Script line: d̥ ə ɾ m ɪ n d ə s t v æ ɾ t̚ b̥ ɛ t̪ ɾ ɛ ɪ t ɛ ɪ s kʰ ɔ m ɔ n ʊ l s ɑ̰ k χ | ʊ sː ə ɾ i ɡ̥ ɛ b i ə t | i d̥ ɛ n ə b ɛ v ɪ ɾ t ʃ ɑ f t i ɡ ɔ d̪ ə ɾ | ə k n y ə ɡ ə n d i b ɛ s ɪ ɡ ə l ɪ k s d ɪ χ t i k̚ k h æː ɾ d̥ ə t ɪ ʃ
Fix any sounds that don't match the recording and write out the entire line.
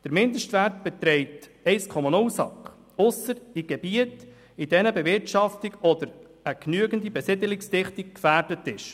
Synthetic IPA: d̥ ə ɾ m ɪ n d ə ʃ t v æ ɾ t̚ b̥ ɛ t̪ ɾ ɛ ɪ t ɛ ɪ s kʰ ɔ m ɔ n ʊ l s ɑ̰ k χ | ʊ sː ə ɾ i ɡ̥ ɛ b i ə t | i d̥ ɛ n ə b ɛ v ɪ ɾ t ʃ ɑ f t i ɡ ɔ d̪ ə ɾ | ə k n y ə ɡ ə n d i b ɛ s ɪ d ə l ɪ k s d ɪ χ t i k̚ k f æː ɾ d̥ ə t ɪ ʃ